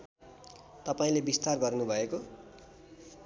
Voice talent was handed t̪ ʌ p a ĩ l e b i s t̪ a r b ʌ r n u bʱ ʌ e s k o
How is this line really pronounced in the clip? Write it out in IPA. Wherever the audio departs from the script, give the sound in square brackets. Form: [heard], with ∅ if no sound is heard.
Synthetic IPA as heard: t̪ ʌ p a ĩ l e b i s t̪ a r [ɡ] ʌ r n u bʱ ʌ e [∅] k o